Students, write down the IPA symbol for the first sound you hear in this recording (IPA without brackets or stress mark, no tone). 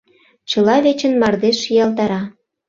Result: t͡ɕ